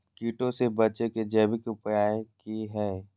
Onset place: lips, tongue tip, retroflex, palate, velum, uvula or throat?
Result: velum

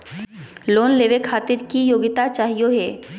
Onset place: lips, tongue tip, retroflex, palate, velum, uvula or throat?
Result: tongue tip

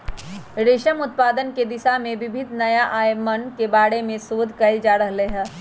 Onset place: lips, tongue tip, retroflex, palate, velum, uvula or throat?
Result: tongue tip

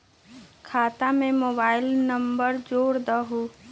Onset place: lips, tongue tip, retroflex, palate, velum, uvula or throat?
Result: velum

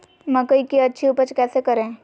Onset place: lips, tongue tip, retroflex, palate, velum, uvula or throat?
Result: lips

